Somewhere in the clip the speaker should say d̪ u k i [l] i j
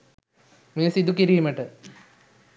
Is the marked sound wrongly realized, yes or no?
yes